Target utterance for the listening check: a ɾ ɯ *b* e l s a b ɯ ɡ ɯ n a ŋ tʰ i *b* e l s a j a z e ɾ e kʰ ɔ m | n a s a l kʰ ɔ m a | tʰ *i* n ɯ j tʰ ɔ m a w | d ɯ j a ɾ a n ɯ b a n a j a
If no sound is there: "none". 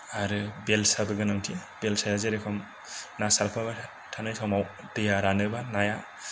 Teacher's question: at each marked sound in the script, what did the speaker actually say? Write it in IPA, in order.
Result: b, b, a

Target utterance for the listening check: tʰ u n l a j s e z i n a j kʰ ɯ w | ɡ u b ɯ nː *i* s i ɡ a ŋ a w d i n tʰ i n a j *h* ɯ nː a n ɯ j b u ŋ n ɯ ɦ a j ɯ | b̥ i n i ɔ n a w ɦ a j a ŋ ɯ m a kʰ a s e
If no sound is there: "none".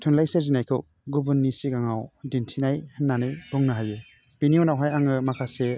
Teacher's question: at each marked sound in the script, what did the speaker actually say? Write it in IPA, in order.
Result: i, h

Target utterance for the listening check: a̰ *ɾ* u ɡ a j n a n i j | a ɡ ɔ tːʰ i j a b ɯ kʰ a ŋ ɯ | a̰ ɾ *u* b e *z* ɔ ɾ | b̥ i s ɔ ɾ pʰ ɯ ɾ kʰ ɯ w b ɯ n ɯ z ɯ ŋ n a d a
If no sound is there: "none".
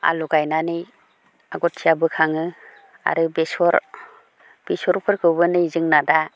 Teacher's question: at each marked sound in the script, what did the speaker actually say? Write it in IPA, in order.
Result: l, ɯ, s

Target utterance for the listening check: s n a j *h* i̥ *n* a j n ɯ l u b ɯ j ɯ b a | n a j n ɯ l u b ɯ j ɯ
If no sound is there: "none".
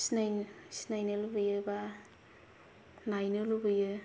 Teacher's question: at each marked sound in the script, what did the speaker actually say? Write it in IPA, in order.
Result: s, n

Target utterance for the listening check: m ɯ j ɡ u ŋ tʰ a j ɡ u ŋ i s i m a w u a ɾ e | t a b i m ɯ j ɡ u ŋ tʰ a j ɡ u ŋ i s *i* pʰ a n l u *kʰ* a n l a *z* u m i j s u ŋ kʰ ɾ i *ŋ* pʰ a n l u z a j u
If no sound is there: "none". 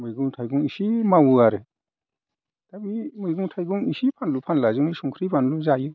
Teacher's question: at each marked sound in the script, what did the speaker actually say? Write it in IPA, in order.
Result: i, pʰ, z, none

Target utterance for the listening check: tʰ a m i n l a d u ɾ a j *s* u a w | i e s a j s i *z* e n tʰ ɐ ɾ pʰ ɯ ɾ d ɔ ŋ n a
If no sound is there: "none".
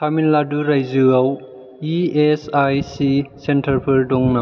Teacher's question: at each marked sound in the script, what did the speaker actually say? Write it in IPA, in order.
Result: z, s

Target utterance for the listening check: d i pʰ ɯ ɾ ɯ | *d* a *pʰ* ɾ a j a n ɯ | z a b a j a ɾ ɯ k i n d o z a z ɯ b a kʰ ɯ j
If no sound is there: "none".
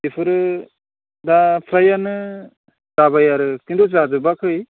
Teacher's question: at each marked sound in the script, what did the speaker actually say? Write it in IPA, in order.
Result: d, pʰ

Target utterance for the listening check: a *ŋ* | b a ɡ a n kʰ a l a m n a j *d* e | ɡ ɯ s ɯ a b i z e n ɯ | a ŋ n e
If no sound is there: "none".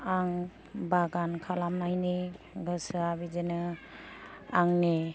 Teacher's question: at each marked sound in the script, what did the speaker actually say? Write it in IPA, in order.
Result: ŋ, n

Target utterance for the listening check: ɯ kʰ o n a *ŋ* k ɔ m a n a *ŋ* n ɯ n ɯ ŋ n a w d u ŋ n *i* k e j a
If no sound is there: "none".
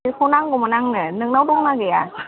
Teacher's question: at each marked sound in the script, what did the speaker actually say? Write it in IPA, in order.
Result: ŋ, ŋ, a

